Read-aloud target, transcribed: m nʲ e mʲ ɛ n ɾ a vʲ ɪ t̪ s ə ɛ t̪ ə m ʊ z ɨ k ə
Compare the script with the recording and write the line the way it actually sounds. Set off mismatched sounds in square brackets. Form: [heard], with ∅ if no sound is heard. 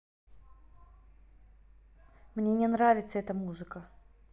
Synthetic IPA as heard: m nʲ e [nʲ] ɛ n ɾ a vʲ ɪ t̪ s ə ɛ t̪ ə m [u] z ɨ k ə